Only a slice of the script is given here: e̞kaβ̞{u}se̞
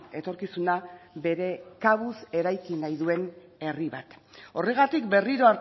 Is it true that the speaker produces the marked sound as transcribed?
yes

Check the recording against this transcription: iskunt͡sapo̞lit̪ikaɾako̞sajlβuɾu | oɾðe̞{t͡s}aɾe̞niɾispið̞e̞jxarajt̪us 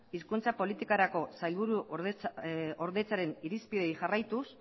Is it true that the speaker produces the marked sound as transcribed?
yes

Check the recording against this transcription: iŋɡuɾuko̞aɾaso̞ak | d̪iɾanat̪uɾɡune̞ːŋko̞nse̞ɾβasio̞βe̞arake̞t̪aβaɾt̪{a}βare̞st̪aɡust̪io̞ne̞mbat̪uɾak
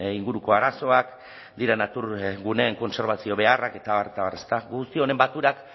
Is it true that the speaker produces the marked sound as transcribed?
yes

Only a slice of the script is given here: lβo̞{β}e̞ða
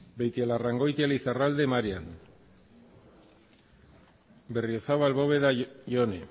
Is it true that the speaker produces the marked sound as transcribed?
yes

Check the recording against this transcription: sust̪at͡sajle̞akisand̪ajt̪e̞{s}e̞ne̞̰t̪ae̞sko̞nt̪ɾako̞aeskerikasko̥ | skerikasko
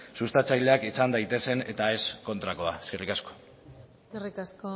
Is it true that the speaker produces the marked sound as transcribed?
yes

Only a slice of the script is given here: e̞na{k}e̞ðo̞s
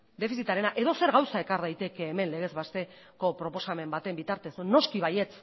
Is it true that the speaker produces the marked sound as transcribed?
no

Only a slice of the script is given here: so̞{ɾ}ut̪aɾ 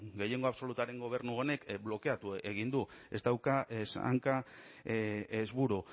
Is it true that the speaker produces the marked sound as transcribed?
no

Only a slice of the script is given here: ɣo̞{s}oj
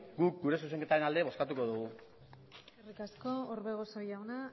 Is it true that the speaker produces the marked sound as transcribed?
yes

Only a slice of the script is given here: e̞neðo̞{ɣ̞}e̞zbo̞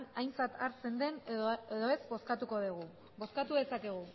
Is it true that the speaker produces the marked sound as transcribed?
no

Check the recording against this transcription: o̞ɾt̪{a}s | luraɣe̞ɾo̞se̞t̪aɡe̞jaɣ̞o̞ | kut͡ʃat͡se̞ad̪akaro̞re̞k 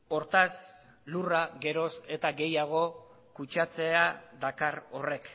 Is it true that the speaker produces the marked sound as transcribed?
yes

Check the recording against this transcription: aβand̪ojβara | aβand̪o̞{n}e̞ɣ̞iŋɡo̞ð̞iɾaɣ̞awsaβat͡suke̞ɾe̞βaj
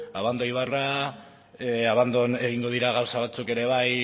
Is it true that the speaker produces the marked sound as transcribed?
yes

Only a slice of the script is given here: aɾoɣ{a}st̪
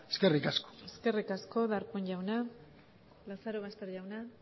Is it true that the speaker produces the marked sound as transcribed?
yes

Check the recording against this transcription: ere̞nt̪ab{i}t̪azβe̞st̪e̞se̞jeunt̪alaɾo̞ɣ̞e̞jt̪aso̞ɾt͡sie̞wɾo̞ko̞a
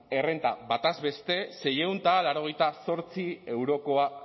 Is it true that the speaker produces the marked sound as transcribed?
no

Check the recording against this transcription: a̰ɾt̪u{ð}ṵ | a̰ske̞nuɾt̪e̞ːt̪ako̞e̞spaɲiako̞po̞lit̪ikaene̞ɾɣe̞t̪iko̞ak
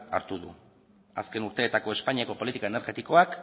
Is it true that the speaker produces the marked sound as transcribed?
yes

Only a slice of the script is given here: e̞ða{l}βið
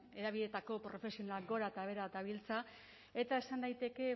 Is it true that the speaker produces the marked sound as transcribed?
no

